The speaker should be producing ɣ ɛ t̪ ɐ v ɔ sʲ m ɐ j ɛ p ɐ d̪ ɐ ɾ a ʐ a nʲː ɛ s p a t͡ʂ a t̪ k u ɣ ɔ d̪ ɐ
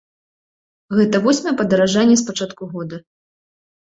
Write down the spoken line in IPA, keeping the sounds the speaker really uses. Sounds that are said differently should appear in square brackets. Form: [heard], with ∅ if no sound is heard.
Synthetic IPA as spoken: ɣ ɛ t̪ ɐ v ɔ sʲ m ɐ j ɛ p ɐ d̪ ɐ ɾ a ʐ a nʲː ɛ s p a t͡ʂ a t̪ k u ɣ ɔ d̪ ɐ